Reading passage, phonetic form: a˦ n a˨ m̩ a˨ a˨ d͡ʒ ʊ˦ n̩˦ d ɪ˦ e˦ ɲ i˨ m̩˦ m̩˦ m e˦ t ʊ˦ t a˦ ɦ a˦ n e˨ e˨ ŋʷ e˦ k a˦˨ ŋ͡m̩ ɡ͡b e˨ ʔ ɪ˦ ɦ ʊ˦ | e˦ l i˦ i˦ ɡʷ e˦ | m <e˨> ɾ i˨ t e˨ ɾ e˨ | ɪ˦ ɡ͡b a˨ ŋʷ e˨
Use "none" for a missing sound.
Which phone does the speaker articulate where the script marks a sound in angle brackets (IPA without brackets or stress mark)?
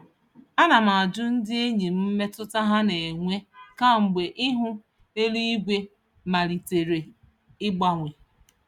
a˨